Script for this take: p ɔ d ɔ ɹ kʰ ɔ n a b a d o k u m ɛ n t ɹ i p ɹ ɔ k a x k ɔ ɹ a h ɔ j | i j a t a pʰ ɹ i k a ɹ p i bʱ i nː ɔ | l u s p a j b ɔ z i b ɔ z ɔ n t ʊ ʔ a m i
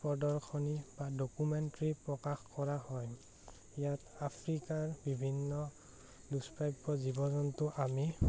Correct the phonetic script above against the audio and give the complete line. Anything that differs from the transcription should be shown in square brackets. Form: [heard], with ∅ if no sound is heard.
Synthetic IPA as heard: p ɔ d ɔ ɹ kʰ ɔ n [i] b a d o k u m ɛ n t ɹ i p ɹ ɔ k a x k ɔ ɹ a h ɔ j | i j a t a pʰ ɹ i k a ɹ [b] i bʱ i nː ɔ | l u s p a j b ɔ z i b ɔ z ɔ n t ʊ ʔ a m i